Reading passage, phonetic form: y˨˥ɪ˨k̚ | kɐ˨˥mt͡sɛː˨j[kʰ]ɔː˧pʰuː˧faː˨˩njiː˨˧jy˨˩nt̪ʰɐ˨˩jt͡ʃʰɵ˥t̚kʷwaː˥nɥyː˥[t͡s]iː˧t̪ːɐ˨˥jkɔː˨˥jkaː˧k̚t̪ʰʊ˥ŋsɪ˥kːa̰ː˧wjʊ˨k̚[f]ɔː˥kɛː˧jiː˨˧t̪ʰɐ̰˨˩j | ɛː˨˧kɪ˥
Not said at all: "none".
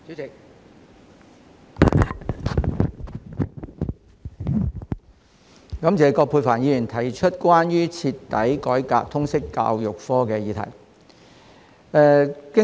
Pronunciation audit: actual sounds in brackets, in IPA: k, t͡sʰ, f

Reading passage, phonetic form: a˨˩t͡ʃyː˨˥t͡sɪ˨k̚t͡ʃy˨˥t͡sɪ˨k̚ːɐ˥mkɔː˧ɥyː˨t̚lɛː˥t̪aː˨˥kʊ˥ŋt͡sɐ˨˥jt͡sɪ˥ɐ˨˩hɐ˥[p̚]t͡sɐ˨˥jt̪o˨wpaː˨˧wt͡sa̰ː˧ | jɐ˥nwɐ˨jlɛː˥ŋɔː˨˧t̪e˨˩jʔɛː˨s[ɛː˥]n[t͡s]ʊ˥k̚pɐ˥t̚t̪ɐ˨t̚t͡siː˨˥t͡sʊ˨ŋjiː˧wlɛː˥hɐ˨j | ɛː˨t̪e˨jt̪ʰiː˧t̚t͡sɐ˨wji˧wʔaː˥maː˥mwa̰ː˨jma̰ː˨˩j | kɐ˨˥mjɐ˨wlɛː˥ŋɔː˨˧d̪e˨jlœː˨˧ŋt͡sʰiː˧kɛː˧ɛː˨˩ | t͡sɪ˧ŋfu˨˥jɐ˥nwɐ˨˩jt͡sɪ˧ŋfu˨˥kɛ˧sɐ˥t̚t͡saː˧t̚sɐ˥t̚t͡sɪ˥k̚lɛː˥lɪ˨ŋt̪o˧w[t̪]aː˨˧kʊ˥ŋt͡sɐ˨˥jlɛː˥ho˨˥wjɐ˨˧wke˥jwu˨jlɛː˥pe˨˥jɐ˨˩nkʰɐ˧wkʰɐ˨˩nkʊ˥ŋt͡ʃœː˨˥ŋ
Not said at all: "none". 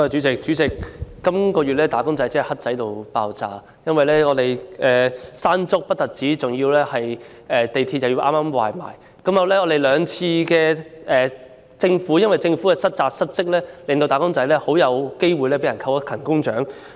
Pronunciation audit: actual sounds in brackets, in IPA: t̚, aː˥, t͡s, t̪

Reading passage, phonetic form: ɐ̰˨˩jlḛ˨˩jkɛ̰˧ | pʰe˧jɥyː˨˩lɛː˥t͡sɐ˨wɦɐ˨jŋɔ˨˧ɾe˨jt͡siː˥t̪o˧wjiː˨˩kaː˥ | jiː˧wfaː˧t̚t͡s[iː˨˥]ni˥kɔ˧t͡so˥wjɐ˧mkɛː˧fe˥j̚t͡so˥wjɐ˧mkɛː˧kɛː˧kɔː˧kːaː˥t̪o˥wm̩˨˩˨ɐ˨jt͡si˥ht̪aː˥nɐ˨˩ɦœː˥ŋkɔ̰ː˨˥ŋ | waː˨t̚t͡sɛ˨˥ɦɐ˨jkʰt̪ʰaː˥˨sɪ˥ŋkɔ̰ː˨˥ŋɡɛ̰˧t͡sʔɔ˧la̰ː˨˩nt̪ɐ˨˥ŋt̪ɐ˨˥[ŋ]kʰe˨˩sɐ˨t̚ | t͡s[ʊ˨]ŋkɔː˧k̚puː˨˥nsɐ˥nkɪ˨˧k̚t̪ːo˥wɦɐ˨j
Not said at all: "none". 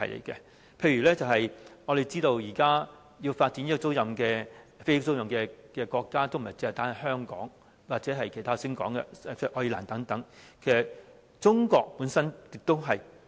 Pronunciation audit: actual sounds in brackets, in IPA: i˨˥, ŋ, ʊ˥

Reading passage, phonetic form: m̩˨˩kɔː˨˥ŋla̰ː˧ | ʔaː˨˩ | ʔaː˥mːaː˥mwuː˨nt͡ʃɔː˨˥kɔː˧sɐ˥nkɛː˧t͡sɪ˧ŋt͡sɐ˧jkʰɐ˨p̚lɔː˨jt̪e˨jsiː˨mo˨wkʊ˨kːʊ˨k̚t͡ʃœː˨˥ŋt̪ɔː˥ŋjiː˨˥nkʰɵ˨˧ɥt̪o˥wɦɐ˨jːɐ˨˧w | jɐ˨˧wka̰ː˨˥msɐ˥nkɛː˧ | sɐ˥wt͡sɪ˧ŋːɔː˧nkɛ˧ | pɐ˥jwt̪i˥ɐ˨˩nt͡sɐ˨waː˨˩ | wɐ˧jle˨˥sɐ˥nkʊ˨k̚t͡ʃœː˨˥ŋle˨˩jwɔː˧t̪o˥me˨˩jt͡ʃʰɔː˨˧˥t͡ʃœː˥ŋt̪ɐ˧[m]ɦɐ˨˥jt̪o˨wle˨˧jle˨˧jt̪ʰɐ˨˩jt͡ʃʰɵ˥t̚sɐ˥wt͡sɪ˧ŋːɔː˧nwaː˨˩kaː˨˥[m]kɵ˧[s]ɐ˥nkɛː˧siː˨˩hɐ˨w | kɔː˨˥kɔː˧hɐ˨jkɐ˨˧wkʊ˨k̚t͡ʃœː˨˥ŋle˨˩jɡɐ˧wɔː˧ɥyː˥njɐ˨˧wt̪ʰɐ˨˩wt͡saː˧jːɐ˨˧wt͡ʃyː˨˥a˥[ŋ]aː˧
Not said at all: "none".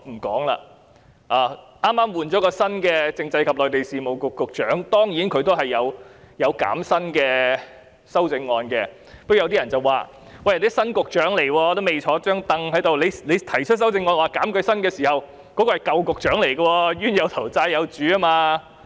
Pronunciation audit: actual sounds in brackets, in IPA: ŋ, m, s, m

